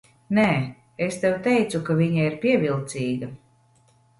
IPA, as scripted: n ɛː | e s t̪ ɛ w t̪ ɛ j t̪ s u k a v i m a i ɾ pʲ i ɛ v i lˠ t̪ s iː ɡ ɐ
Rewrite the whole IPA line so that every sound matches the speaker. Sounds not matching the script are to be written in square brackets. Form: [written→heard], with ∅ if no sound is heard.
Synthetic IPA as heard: n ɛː | e s t̪ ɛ w t̪ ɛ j t̪ s u k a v i [m→ɲ] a i ɾ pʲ i ɛ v i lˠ t̪ s iː ɡ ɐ